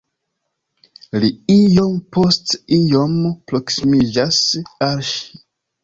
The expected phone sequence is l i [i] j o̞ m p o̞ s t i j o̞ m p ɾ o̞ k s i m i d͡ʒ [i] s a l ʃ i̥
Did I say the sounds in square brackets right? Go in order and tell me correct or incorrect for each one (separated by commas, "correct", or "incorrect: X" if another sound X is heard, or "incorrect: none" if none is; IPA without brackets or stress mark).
correct, incorrect: a